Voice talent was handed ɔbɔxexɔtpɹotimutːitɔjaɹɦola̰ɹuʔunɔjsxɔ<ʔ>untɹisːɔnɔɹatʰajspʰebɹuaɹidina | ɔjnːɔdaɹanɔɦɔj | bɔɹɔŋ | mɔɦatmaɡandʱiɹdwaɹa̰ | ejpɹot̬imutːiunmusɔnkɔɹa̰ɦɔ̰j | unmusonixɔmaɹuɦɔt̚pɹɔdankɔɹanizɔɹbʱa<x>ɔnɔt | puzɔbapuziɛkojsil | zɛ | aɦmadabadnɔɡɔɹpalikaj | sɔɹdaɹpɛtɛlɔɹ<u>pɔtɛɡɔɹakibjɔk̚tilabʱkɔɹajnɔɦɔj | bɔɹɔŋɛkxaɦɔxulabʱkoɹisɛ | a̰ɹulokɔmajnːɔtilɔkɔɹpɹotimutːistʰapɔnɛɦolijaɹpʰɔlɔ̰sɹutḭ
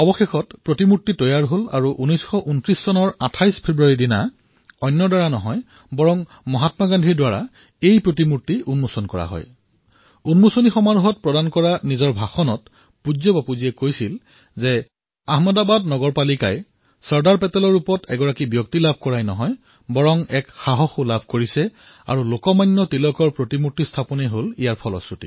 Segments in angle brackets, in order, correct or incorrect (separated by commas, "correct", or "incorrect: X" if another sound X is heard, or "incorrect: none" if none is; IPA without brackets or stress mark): correct, correct, correct